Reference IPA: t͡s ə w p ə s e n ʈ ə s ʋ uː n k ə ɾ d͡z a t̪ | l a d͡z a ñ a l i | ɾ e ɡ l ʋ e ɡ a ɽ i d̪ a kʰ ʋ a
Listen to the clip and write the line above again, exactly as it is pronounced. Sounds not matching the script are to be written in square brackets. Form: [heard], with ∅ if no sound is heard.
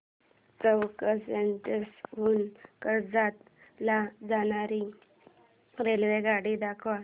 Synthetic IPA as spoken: t͡s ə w [k] ə s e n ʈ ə s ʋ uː n k ə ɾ d͡z a t̪ | l a d͡z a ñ a [ɾ] i | ɾ e [∅] l ʋ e ɡ a ɽ i d̪ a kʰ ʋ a